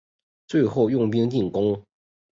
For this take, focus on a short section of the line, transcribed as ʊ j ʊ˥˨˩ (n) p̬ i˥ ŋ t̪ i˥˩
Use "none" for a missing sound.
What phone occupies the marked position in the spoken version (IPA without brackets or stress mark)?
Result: ŋ